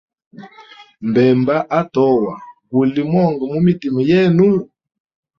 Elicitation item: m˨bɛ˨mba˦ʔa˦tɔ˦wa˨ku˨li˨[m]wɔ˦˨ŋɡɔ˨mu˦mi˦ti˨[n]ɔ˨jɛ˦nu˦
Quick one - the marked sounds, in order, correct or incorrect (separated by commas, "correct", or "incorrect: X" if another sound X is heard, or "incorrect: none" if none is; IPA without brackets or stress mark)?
correct, incorrect: m